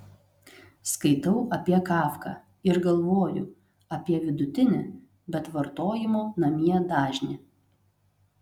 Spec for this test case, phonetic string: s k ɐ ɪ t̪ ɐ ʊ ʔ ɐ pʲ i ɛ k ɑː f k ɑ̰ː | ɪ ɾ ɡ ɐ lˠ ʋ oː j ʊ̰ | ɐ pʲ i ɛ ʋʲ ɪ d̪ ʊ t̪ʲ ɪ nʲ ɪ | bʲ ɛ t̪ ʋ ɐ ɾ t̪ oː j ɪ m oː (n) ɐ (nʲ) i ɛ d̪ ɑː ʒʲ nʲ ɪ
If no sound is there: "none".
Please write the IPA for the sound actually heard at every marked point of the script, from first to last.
n, mʲ

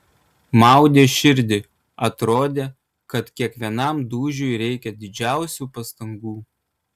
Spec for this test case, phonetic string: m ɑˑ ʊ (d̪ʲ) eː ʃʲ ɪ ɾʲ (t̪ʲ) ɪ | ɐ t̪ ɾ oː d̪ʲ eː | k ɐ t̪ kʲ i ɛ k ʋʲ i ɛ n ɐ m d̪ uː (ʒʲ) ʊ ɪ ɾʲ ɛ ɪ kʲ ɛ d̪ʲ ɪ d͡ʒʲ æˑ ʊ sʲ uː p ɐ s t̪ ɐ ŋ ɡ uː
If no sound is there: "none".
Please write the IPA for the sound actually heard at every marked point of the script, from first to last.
d̪ʲ, d̪ʲ, ʒʲ

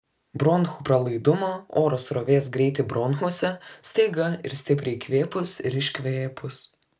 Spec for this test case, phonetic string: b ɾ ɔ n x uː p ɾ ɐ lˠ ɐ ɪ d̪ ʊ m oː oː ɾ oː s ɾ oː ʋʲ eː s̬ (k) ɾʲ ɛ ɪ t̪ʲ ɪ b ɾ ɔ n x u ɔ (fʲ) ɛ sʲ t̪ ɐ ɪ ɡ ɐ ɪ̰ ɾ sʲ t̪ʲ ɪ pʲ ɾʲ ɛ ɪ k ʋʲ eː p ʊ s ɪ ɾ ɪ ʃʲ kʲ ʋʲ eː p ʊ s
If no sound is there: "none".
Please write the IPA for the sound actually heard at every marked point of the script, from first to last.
ɡ, sʲ

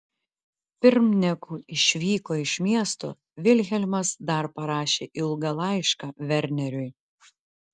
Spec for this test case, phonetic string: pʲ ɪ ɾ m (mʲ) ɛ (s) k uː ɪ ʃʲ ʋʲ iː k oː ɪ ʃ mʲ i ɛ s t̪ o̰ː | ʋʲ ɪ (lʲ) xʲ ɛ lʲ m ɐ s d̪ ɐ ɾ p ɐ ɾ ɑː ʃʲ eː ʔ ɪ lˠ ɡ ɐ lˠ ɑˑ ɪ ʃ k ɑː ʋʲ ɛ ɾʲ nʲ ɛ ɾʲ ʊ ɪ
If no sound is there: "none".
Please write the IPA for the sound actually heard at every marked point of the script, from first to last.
nʲ, none, lʲ

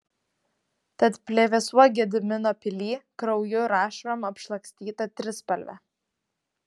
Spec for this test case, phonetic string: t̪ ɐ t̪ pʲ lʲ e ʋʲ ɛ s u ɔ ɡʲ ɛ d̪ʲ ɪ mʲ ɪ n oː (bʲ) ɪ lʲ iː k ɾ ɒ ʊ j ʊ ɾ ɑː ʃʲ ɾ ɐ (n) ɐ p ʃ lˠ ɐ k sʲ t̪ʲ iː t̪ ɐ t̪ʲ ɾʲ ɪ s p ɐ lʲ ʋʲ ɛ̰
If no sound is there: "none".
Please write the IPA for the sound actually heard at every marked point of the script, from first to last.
pʲ, m

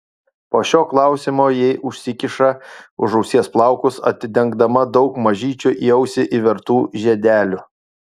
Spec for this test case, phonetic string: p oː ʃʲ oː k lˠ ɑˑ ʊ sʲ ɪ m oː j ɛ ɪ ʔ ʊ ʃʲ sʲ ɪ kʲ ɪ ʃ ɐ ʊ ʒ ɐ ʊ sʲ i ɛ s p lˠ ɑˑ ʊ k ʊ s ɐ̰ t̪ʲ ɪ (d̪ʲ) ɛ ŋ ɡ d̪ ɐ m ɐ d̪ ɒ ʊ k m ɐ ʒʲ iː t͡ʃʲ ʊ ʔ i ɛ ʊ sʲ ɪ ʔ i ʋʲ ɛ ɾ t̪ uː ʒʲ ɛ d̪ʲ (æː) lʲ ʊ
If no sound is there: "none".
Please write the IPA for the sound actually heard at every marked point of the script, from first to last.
d̪ʲ, æː

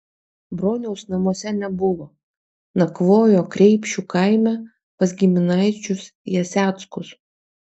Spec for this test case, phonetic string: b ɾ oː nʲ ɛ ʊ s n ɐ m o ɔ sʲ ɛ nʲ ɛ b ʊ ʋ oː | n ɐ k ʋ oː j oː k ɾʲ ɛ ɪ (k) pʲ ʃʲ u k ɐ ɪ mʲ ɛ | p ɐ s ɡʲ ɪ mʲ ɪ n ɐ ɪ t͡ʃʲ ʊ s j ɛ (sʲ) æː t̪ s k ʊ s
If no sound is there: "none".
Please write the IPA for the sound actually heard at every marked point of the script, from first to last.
none, sʲ

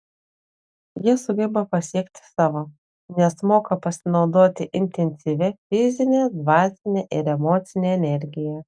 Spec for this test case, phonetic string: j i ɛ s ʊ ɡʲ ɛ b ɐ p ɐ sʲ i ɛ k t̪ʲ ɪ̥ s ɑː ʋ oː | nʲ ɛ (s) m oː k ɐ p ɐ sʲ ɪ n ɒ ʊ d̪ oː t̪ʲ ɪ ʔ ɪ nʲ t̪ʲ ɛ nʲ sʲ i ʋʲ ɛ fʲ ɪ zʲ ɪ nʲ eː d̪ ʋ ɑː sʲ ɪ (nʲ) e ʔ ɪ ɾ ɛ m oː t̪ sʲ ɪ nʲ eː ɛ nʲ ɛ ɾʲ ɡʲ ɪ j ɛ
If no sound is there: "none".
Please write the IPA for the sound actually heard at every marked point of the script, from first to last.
s, nʲ

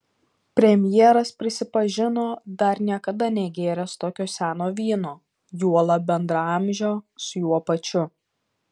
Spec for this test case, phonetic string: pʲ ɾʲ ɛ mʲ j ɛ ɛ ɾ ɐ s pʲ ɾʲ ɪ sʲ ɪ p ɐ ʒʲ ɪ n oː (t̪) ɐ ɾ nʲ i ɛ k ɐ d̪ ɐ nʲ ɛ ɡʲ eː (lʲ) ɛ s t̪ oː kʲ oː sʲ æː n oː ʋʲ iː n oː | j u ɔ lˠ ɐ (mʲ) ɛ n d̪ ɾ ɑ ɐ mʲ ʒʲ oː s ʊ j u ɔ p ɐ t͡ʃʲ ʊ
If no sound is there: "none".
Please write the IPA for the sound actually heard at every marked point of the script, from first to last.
d̪, ɾʲ, bʲ

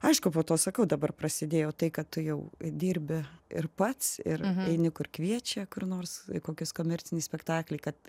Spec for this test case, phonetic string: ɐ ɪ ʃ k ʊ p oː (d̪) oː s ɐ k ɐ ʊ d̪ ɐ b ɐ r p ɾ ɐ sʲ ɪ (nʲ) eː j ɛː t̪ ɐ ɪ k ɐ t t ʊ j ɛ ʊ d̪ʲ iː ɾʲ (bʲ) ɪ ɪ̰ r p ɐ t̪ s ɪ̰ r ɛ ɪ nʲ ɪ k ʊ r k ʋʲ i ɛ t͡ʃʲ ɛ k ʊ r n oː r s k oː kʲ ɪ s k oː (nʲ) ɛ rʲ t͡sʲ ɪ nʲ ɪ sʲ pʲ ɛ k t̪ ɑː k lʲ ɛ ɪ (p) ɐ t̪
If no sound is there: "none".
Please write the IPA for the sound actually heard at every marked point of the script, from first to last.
t̪, dʲ, bʲ, mʲ, k

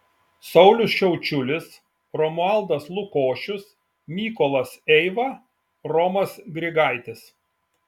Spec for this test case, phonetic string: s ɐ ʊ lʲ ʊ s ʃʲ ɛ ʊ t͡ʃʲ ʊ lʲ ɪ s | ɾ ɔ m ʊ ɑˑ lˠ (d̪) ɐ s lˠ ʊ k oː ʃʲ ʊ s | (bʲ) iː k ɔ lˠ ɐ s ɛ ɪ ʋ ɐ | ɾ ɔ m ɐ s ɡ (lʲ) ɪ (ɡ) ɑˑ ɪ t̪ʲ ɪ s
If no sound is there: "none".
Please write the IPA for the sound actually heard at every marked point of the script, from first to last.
d̪, mʲ, ɾʲ, ɡ

